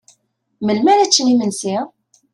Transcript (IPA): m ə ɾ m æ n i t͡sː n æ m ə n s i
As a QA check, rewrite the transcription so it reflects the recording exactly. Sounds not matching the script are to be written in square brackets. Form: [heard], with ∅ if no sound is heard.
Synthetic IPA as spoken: m ə [l] m æ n [æ] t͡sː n [i] m ə n s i